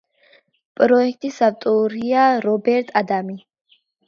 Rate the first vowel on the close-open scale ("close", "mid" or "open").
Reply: mid